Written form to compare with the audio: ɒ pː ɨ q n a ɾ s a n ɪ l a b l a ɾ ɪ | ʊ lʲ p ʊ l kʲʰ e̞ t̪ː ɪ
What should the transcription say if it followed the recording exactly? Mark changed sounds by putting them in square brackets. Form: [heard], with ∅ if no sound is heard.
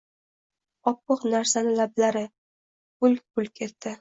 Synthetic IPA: ɒ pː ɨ q n a ɾ s a n ɪ l a b l a ɾ ɪ | ʊ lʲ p ʊ l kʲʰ e̞ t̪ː ɪ